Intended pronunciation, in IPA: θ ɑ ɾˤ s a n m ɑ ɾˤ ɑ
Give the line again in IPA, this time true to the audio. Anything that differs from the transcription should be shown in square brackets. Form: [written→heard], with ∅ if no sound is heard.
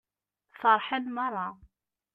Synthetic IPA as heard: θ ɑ ɾˤ [s→ħ] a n m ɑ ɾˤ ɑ